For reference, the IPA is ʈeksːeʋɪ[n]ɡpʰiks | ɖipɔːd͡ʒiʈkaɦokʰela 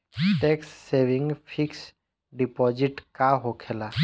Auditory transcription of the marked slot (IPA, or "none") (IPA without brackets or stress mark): ŋ